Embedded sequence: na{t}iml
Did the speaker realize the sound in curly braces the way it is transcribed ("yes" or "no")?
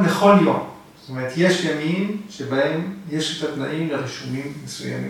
no